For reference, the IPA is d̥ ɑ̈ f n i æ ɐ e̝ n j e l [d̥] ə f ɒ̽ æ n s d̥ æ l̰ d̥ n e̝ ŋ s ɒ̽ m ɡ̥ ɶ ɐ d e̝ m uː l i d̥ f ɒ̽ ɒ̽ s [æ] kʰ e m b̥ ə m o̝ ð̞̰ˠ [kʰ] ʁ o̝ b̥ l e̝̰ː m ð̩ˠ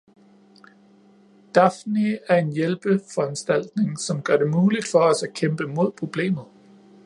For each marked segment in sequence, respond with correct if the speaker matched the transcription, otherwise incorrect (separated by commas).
incorrect, correct, incorrect